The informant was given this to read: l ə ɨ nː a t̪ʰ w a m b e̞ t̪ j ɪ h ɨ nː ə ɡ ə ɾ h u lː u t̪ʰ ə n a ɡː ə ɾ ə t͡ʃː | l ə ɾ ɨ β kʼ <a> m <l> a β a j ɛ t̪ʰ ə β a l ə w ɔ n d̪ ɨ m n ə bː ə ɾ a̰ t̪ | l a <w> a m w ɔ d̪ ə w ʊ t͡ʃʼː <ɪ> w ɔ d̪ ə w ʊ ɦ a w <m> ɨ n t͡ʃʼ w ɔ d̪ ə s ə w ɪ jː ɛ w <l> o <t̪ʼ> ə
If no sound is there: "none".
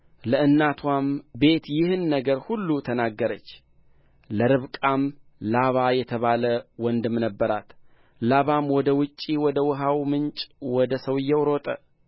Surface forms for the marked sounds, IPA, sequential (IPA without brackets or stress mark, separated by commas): a, l, β, i, m, ɾ, t̪ʼ